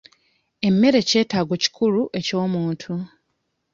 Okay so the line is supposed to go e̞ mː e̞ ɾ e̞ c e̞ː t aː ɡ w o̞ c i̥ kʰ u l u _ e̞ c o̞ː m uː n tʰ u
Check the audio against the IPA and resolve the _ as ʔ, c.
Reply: ʔ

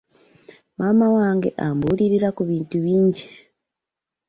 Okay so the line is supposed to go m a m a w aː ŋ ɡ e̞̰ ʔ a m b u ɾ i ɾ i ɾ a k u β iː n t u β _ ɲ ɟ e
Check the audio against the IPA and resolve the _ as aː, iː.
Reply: iː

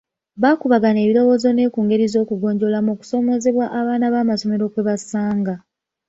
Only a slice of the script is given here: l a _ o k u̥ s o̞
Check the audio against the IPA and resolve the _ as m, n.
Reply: m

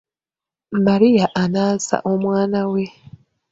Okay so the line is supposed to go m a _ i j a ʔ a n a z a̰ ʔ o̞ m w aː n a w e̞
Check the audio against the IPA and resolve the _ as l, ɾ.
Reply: ɾ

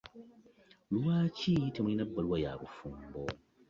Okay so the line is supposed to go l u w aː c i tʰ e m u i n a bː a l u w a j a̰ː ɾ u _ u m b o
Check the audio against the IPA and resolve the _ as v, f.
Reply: f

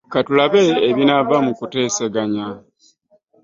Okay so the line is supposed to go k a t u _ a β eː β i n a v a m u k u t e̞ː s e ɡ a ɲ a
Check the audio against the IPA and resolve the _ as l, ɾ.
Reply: l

